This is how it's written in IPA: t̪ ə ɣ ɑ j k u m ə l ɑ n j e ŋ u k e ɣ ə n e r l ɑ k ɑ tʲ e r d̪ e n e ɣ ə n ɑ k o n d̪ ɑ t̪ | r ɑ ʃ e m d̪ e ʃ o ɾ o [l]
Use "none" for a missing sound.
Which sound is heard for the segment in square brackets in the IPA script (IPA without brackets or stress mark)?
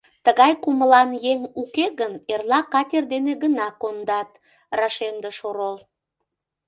l